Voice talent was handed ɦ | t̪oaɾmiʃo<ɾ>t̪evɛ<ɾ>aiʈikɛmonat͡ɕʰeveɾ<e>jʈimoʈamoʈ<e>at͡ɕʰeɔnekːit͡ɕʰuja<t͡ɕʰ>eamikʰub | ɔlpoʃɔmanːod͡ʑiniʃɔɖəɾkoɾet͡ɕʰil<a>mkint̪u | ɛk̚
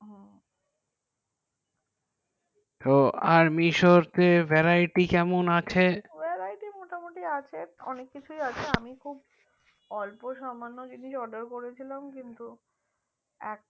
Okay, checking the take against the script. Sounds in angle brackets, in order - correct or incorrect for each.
correct, correct, incorrect, incorrect, correct, correct

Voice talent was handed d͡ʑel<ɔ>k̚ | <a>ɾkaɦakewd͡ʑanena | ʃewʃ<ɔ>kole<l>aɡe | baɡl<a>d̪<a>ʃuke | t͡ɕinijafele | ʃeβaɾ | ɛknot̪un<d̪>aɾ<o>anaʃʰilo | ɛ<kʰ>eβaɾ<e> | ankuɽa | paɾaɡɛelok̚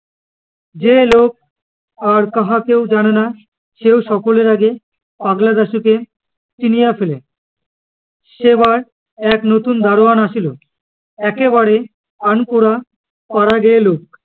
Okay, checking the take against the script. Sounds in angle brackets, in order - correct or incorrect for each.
incorrect, correct, correct, incorrect, correct, correct, correct, correct, incorrect, correct

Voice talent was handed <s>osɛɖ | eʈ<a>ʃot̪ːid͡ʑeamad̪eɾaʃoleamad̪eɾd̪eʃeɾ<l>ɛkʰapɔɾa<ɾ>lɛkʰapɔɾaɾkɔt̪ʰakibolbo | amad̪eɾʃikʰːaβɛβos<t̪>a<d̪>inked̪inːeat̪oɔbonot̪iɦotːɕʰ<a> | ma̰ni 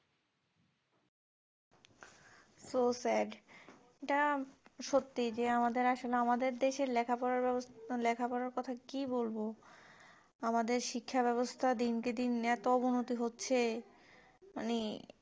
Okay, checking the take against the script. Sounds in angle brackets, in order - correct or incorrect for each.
correct, correct, correct, correct, incorrect, correct, incorrect

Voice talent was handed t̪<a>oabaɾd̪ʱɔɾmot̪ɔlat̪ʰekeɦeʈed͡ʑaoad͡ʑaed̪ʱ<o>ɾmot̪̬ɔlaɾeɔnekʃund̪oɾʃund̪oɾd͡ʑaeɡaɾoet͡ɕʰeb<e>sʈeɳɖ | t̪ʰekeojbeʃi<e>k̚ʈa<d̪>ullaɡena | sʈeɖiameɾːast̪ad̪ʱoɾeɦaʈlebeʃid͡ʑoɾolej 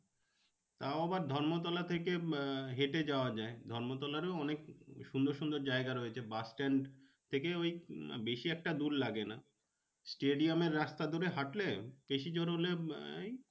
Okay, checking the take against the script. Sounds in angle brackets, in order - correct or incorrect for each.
correct, incorrect, incorrect, incorrect, correct

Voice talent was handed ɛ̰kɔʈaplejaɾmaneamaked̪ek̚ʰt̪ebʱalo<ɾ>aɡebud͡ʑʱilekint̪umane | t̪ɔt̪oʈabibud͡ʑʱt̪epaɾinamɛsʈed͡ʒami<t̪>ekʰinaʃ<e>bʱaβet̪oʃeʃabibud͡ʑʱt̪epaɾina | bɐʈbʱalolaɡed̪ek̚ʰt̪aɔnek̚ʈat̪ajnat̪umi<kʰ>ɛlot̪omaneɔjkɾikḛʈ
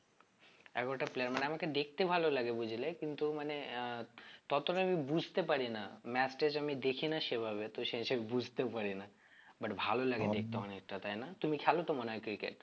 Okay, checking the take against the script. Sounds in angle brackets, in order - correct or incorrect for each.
incorrect, incorrect, correct, correct

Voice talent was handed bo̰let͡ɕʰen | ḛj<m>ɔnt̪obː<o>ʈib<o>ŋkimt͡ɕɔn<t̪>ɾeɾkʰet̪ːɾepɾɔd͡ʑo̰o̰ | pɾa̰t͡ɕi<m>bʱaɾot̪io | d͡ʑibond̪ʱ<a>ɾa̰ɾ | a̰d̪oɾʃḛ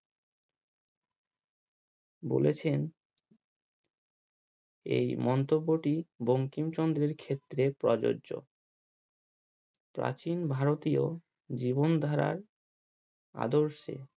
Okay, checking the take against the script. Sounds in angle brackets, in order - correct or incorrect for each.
correct, correct, correct, incorrect, incorrect, correct

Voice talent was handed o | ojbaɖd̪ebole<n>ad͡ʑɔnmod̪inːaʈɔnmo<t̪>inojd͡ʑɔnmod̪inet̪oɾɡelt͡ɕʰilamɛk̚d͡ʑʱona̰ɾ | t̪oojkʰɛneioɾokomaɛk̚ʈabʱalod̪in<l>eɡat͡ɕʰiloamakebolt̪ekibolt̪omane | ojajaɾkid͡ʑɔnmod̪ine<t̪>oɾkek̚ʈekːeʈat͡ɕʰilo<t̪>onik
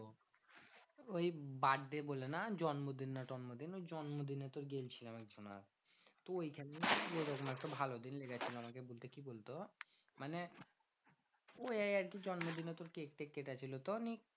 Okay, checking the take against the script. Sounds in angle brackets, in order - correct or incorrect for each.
correct, incorrect, correct, correct, correct

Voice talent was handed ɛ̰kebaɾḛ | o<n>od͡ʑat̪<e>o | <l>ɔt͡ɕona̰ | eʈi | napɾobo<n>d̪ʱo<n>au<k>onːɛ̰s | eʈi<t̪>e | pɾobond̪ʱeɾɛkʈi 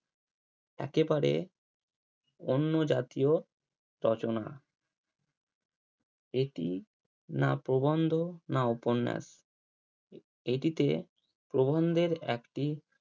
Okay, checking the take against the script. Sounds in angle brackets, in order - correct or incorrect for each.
incorrect, incorrect, incorrect, correct, correct, incorrect, correct

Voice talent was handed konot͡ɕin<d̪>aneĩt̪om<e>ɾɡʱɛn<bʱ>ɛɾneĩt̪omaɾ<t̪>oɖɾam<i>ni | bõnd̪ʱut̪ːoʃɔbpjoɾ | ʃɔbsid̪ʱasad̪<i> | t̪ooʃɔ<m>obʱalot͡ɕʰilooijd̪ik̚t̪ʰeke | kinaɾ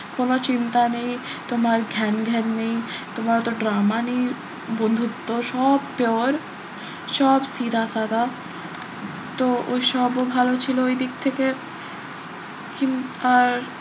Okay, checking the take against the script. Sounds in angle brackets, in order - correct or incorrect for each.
incorrect, incorrect, incorrect, correct, incorrect, incorrect, incorrect

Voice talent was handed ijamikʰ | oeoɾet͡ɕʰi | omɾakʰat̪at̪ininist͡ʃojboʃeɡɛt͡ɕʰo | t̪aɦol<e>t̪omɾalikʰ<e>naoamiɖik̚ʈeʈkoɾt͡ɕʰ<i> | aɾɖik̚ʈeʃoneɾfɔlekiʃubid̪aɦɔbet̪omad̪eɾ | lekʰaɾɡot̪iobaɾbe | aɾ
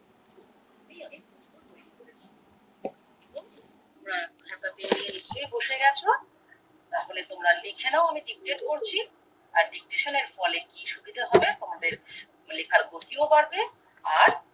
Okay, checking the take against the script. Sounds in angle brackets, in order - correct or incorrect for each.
correct, correct, correct

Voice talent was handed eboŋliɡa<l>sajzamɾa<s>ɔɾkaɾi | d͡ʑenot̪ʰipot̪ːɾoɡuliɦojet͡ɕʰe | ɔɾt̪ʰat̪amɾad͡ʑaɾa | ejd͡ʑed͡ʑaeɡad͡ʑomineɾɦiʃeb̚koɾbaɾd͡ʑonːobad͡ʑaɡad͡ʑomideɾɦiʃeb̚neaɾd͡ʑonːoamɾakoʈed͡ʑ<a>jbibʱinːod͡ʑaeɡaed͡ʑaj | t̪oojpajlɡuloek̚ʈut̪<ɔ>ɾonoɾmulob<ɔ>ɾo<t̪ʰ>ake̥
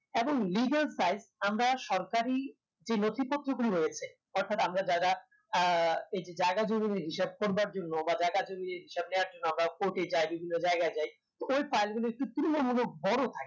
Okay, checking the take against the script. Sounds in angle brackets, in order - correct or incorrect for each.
correct, incorrect, correct, incorrect, correct, correct

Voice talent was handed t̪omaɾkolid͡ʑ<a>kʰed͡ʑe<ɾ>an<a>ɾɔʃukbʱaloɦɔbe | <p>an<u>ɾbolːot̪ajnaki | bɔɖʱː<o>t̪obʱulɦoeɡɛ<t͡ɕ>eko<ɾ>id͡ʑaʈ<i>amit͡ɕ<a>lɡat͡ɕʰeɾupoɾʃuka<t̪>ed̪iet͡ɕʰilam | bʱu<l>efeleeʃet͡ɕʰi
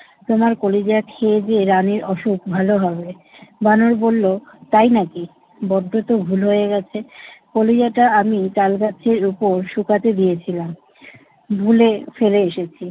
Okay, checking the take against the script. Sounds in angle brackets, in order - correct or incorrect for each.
correct, correct, incorrect, incorrect, incorrect, correct, incorrect, incorrect, incorrect, correct, correct, correct

